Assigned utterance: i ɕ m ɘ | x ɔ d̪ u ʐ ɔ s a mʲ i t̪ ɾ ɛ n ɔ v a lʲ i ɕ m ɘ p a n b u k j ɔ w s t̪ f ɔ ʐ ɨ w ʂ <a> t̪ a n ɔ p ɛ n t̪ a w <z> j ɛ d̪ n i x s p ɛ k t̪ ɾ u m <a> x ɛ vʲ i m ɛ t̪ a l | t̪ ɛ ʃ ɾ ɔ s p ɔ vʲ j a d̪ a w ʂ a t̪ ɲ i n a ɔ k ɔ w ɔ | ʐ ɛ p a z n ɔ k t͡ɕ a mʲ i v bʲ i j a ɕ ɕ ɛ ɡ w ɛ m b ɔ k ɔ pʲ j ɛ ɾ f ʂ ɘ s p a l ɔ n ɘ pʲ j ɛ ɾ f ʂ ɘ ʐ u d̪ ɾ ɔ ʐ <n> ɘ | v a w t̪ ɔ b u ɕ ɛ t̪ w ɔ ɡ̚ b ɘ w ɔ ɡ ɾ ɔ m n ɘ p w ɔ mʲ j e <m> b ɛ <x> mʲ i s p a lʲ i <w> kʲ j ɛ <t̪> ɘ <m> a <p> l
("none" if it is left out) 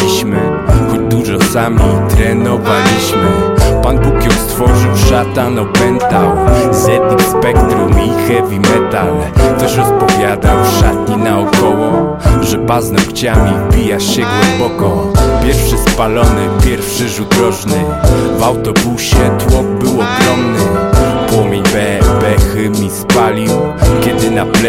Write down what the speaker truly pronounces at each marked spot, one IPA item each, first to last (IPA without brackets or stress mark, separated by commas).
a, z, i, n, ɲ, x, w, d̪, n, p